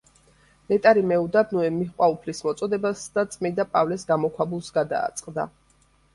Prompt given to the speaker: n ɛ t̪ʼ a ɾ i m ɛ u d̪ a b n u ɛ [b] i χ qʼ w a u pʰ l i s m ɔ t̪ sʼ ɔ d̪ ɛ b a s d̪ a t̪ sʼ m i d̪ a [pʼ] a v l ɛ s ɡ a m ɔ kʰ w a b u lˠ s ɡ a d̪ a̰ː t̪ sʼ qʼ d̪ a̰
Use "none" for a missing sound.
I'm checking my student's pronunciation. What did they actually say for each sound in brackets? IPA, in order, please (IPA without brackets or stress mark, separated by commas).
m, pʼ